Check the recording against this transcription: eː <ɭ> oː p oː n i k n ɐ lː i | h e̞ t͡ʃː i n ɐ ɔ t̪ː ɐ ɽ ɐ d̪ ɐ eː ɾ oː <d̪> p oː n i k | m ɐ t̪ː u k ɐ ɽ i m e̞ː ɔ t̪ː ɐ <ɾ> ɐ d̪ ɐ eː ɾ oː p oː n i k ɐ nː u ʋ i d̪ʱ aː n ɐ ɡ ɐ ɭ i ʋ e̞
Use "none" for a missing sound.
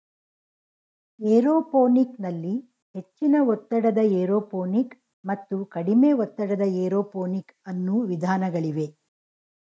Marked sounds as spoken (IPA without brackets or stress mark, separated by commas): ɾ, none, ɽ